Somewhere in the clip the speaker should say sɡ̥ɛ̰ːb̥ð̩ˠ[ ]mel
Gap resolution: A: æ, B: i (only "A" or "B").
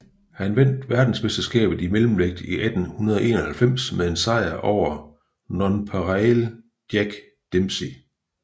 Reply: B